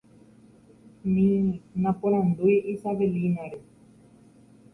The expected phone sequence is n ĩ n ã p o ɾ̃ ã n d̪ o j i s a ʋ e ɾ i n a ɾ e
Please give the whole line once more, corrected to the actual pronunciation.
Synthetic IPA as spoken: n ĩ n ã p o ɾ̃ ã n d̪ u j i s a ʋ e l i n a ɾ e